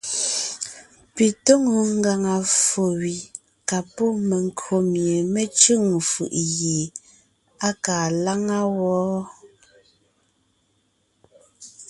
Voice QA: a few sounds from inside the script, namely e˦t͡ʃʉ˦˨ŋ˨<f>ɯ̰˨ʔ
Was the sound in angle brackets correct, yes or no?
yes